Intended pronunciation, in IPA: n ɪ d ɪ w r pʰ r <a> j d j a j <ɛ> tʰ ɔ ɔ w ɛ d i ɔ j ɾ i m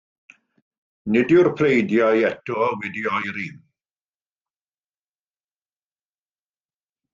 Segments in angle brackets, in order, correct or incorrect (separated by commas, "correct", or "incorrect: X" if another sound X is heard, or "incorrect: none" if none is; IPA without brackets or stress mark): incorrect: e, correct